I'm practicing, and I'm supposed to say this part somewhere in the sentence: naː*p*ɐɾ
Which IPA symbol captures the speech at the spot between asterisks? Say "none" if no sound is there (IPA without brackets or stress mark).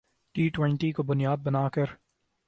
k